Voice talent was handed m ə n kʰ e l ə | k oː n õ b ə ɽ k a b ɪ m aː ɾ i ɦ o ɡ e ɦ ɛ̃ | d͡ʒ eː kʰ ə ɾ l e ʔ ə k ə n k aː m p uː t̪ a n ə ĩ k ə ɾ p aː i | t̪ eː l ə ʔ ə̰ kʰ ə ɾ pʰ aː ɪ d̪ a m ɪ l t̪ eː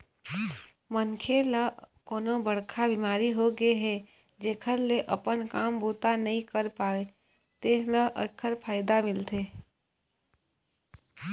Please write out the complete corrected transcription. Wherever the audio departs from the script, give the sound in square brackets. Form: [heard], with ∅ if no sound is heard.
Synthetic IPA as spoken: m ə n kʰ e l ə | k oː n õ b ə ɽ [kʰ] a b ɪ m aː ɾ i ɦ o ɡ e ɦ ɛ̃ | d͡ʒ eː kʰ ə ɾ l e ʔ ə [p] ə n k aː m [b] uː t̪ a n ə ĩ k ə ɾ p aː [e] | t̪ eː l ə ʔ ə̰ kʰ ə ɾ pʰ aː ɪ d̪ a m ɪ l t̪ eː